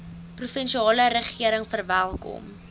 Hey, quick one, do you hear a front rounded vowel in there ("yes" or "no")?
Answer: no